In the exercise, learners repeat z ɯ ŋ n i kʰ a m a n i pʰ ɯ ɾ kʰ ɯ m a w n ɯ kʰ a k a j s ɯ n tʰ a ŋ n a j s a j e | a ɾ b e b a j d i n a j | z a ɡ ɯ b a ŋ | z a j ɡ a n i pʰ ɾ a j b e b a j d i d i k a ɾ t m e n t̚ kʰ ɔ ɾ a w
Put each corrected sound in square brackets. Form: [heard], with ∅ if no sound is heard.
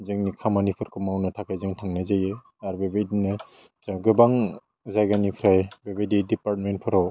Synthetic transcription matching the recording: z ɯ ŋ n i kʰ a m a n i pʰ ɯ ɾ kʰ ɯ m a w n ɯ [tʰ] a k a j [z] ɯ [ŋ] tʰ a ŋ n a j [z] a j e | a ɾ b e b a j d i n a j | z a ɡ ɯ b a ŋ | z a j ɡ a n i pʰ ɾ a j b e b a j d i d i [p] a ɾ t m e n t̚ [pʰ] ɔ ɾ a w